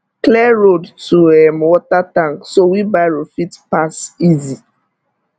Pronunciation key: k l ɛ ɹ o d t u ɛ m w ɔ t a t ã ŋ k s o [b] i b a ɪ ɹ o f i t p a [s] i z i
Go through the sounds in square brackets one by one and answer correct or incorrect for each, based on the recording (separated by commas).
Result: incorrect, correct